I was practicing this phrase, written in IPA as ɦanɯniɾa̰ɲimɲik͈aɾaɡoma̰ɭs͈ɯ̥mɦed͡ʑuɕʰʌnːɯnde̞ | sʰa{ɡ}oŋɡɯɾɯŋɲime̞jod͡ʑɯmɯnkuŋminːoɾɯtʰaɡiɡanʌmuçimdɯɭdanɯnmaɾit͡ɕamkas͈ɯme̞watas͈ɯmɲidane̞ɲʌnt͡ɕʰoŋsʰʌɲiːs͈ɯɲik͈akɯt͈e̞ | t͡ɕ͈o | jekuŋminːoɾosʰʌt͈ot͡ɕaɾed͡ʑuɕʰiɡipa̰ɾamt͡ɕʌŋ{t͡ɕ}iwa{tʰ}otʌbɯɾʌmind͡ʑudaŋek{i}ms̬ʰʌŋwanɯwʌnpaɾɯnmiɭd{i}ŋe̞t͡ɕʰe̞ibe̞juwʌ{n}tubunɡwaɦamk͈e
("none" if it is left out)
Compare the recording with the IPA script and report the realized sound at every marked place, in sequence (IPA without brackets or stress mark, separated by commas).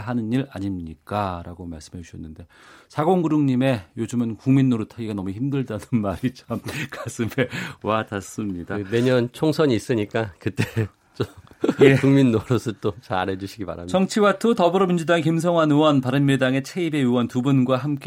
ɡ, t͡ɕʰ, tʰ, i, a, n